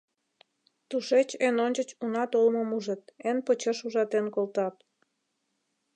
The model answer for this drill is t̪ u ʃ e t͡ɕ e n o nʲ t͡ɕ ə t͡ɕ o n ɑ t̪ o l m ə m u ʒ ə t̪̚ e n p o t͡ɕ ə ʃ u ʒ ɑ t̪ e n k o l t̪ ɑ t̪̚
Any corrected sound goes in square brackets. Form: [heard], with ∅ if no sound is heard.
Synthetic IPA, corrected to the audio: t̪ u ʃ e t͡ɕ e n o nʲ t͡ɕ ə t͡ɕ [u] n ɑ t̪ o l m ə m u ʒ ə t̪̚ e n p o t͡ɕ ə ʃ u ʒ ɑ t̪ e n k o l t̪ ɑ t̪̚

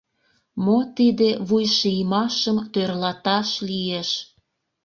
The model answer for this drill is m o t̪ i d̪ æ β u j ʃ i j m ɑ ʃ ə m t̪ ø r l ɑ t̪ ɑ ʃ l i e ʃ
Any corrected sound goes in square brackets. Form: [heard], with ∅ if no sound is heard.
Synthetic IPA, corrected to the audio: m o t̪ i d̪ [e] β u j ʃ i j m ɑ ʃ ə m t̪ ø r l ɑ t̪ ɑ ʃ l i e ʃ

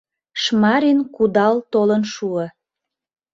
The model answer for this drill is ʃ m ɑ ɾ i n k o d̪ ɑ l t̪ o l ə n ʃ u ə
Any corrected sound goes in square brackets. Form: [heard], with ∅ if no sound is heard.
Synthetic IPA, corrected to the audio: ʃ m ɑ ɾ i n k [u] d̪ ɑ l t̪ o l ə n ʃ u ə

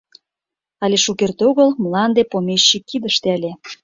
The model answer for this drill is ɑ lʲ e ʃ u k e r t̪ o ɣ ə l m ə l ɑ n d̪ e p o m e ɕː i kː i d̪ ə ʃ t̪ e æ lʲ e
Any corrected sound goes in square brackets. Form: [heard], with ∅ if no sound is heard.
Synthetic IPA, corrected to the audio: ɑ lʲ e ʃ u k e r t̪ o ɣ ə l m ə l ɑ n d̪ e p o m e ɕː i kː i d̪ ə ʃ t̪ e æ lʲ e

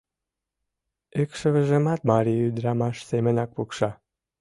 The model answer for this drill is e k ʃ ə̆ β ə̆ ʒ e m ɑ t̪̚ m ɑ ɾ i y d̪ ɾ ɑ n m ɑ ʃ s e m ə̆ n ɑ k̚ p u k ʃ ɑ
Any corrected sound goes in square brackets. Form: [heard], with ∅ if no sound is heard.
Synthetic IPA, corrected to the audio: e k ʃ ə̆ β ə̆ ʒ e m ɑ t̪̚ m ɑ ɾ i y d̪ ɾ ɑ [∅] m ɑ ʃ s e m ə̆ n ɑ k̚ p u k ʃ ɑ

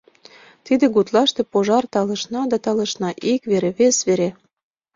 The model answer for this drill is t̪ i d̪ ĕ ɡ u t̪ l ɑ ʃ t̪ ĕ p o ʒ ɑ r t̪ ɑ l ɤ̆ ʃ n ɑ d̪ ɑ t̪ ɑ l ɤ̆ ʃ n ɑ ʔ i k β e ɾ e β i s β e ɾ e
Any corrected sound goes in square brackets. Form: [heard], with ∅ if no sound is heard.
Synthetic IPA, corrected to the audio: t̪ i d̪ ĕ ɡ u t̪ l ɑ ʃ t̪ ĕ p o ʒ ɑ r t̪ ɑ l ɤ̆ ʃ n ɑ d̪ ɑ t̪ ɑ l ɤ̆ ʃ n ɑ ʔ i k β e ɾ e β [e] s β e ɾ e

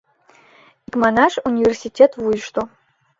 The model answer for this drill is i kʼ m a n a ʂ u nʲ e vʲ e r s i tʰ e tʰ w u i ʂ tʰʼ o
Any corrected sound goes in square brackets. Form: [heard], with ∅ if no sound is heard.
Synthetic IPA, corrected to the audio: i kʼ m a n a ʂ u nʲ [i] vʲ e r s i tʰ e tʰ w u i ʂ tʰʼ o

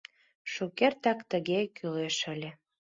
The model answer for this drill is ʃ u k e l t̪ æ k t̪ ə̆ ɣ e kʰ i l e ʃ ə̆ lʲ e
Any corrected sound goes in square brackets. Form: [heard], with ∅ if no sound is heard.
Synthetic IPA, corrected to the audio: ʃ u k e [r] t̪ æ k t̪ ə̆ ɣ e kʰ [y] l e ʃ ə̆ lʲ e

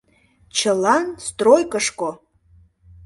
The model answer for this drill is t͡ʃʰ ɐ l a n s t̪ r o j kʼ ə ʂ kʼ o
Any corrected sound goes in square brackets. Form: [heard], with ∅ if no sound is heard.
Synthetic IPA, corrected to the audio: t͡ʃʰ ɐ l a n s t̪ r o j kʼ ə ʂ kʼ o

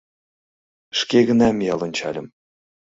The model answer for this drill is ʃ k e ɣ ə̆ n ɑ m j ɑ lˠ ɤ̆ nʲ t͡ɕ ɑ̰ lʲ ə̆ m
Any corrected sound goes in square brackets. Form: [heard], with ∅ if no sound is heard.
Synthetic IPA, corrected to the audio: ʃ k e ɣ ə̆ n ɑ m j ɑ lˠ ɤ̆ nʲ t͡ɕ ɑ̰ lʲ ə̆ m

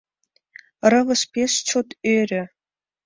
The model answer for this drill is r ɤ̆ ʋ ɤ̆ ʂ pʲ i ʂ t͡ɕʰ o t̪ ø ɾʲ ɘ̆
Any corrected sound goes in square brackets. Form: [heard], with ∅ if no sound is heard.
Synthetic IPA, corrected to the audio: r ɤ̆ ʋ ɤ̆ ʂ pʲ [e] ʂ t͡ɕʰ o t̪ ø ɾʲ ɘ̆

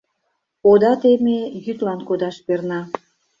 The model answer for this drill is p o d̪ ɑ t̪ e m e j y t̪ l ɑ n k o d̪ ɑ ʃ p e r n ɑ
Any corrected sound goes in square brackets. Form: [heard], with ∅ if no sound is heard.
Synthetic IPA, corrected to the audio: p o d̪ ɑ t̪ e m e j y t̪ l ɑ n k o d̪ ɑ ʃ p e r n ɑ

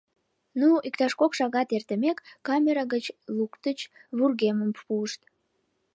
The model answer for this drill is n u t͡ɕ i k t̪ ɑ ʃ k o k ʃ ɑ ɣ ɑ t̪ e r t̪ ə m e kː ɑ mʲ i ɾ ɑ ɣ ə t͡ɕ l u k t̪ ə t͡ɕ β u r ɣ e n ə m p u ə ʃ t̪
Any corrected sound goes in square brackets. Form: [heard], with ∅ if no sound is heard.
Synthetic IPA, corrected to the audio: n u [∅] i k t̪ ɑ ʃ k o k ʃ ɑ ɣ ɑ t̪ e r t̪ ə m e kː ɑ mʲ [e] ɾ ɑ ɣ ə t͡ɕ l u k t̪ ə t͡ɕ β u r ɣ e [m] ə m p u ə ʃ t̪

